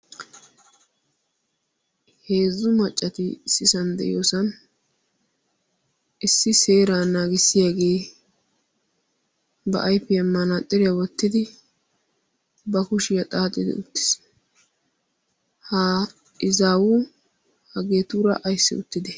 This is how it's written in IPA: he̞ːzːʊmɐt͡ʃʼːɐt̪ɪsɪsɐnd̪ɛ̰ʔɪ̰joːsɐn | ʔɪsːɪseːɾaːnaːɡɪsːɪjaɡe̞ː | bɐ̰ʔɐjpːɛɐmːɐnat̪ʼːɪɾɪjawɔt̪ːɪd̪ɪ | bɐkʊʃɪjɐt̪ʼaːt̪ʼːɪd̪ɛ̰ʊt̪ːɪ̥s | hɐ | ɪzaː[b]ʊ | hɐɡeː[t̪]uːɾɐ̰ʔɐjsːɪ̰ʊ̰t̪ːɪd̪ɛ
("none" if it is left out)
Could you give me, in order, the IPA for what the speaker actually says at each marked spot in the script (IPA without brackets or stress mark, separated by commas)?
w, t̪